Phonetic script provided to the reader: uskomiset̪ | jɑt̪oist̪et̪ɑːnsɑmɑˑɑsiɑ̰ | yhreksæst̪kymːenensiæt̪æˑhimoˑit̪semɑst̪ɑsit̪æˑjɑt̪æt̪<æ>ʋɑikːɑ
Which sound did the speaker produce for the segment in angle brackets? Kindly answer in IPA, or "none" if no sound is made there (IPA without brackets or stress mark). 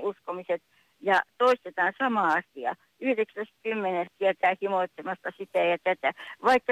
æ